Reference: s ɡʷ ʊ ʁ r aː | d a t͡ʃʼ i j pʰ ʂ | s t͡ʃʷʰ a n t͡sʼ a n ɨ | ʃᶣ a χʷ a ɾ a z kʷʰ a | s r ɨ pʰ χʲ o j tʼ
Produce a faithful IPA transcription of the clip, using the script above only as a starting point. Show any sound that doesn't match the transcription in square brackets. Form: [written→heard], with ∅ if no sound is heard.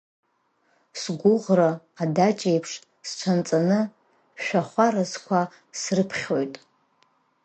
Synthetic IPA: s ɡʷ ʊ ʁ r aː | d a t͡ʃʼ [i→e] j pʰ ʂ | s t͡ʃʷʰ a n t͡sʼ a n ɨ | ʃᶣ a χʷ a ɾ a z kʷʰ a | s r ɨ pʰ χʲ o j tʼ